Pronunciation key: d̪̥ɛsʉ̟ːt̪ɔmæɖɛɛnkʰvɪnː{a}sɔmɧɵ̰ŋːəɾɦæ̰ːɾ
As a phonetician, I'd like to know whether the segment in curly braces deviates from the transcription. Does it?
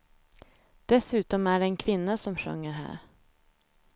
no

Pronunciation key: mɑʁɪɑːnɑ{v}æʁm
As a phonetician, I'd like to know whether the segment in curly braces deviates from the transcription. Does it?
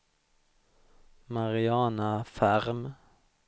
yes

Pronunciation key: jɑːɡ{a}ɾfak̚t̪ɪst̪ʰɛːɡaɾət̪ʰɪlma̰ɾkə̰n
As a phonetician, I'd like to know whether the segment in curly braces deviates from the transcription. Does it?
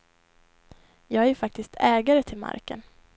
yes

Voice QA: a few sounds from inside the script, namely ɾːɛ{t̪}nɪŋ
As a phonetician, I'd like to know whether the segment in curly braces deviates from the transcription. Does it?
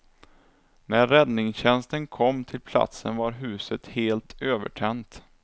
yes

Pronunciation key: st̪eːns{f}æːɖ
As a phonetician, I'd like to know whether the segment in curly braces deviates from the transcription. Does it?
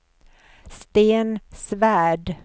yes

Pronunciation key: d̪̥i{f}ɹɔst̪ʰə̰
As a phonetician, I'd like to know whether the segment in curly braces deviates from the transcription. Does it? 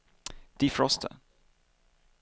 no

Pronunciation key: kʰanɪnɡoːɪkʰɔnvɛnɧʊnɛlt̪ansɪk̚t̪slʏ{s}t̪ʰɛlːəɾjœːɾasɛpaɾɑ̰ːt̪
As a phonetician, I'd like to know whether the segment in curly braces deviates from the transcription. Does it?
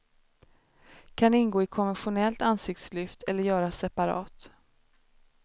yes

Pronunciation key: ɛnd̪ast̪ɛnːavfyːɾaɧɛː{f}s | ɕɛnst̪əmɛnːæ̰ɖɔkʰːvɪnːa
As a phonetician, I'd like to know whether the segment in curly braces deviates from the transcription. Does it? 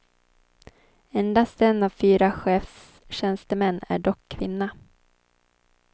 no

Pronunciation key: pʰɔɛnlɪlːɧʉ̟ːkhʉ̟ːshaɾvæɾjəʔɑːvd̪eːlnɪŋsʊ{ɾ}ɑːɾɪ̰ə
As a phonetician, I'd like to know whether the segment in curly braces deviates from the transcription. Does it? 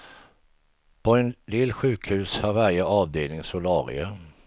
yes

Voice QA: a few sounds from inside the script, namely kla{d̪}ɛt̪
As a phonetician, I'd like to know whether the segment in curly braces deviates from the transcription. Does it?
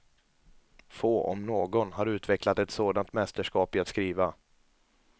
yes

